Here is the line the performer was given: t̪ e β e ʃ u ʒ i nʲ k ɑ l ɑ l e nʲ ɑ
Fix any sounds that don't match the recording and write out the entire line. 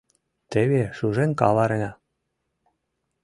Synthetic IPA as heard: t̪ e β e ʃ u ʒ e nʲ k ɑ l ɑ ɾ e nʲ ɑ